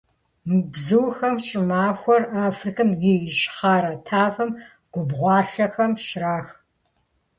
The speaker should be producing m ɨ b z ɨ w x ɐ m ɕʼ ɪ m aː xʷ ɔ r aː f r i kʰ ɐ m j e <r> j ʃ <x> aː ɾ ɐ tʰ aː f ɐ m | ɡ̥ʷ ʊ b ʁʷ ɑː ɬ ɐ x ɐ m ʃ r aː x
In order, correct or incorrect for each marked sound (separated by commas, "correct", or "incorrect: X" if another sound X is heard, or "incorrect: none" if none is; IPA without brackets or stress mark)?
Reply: incorrect: none, incorrect: χ